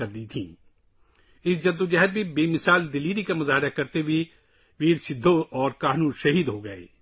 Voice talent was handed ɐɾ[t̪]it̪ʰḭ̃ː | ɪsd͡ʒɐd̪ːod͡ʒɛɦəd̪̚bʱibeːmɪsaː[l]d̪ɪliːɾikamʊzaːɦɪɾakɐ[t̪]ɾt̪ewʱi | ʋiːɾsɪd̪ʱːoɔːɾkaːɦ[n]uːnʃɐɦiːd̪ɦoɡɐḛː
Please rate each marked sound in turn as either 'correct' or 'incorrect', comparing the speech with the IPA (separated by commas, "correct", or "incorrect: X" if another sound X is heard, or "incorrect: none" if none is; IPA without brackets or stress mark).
incorrect: d̪, correct, incorrect: none, correct